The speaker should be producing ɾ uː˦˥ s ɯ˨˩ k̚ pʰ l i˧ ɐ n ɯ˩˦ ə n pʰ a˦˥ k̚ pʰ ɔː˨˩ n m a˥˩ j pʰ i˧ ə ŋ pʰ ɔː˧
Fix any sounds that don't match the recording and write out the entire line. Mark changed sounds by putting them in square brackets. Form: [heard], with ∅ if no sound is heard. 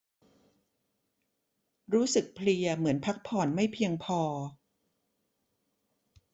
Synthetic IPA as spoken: ɾ uː˦˥ s ɯ˨˩ k̚ pʰ l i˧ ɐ [m] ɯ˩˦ ə n pʰ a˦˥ k̚ pʰ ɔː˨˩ n m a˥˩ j pʰ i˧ ə ŋ pʰ ɔː˧